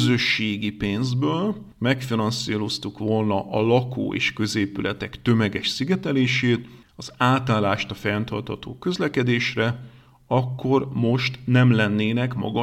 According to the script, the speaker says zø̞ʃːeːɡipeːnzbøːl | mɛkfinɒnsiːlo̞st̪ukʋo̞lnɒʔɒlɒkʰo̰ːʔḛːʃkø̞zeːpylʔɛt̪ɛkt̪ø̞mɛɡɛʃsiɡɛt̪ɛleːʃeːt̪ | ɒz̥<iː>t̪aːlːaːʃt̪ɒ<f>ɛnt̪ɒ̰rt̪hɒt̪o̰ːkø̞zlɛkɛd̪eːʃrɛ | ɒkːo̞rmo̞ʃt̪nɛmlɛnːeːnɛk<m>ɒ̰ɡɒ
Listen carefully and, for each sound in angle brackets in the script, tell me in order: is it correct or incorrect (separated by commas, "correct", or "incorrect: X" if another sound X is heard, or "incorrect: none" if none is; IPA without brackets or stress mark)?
incorrect: aː, correct, correct